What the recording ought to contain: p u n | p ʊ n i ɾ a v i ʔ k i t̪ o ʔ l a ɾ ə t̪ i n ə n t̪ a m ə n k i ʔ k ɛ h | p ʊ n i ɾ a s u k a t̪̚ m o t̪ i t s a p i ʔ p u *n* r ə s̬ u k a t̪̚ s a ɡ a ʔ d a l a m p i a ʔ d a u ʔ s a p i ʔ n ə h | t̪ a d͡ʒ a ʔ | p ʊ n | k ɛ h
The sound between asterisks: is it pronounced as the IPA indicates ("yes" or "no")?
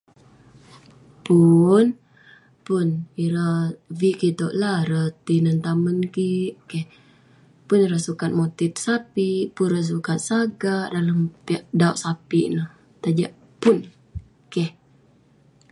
yes